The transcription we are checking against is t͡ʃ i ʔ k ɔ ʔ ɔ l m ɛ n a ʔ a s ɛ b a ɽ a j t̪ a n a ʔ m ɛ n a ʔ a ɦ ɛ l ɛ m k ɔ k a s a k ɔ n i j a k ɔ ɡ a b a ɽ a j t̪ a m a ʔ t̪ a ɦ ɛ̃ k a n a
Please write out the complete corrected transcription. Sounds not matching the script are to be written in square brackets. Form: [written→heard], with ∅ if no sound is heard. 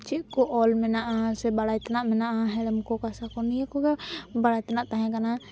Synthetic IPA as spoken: t͡ʃ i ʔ k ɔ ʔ ɔ l m ɛ n a ʔ a s ɛ b a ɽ a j t̪ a n a ʔ m ɛ n a ʔ a ɦ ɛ l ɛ m k ɔ k a s a k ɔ n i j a k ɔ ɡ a b a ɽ a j t̪ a [m→n] a ʔ t̪ a ɦ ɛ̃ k a n a